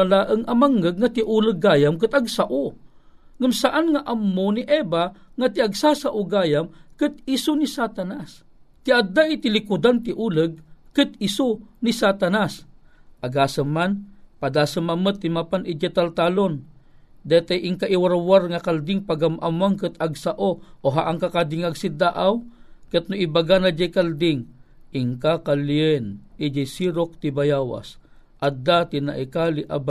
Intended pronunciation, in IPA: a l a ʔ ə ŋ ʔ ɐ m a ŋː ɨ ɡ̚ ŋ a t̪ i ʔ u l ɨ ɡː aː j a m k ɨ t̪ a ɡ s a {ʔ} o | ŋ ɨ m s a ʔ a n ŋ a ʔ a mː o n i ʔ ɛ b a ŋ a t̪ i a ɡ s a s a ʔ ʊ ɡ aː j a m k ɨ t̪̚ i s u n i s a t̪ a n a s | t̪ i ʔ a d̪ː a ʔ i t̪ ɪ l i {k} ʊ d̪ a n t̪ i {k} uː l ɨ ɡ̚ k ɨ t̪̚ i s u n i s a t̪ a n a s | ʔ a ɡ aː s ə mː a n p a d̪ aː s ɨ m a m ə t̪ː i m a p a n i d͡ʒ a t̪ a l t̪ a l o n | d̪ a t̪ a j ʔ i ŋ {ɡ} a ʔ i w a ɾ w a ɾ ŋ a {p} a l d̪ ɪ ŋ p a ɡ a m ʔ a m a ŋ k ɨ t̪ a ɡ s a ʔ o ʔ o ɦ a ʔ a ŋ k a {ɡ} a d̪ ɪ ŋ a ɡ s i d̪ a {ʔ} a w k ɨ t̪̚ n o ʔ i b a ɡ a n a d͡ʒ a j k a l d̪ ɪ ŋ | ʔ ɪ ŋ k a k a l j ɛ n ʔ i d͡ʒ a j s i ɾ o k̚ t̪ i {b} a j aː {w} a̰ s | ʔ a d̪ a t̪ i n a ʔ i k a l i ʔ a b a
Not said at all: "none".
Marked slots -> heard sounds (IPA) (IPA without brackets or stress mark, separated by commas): ʔ, k, ʔ, k, k, k, ʔ, b, w